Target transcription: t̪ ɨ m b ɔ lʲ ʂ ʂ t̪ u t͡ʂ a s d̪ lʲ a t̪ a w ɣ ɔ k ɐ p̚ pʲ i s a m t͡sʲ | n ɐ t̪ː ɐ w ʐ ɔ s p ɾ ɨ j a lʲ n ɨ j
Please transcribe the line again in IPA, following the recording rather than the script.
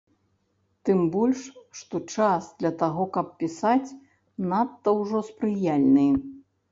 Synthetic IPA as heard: t̪ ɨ m b ɔ lʲ ʂ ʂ t̪ ɔ t͡ʂ a s d̪ lʲ ɐ t̪ a ɣ ɔ k ɐ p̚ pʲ i s a t͡sʲ | n a t̪ː ɐ w ʐ ɔ s p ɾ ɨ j a lʲ n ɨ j